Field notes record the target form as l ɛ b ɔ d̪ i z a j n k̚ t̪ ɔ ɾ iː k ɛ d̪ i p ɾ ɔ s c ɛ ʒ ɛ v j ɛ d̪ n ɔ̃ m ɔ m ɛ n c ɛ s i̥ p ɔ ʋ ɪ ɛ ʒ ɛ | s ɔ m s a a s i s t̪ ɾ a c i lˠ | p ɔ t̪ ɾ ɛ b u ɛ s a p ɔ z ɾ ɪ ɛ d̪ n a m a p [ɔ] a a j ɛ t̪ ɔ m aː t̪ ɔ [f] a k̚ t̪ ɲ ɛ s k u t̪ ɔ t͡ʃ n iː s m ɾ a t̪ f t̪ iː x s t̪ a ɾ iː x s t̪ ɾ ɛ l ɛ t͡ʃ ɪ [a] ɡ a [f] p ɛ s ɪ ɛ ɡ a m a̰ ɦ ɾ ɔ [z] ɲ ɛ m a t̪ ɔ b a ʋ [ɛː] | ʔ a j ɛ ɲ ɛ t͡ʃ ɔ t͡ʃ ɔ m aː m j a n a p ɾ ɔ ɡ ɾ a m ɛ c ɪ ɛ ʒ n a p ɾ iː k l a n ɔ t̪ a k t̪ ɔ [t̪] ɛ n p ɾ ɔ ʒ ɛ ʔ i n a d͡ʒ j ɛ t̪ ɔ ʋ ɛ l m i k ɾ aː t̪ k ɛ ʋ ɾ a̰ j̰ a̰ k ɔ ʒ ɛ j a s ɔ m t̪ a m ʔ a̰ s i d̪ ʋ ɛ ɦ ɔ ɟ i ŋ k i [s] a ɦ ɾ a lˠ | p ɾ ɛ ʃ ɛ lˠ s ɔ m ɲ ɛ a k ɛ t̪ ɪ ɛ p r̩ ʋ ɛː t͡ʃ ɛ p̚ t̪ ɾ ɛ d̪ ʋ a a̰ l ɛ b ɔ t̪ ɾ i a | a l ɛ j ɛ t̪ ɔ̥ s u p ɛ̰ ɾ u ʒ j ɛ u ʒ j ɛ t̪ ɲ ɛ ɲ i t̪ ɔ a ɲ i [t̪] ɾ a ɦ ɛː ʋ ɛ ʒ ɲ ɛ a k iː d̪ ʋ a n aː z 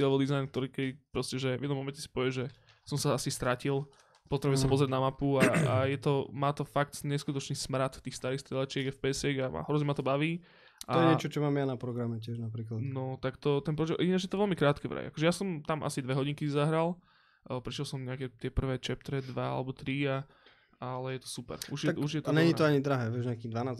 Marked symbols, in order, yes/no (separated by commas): no, yes, no, yes, yes, no, yes, no, no